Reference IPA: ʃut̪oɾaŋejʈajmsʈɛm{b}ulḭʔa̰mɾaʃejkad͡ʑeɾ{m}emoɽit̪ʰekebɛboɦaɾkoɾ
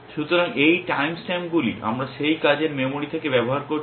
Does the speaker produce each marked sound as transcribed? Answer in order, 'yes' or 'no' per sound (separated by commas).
no, yes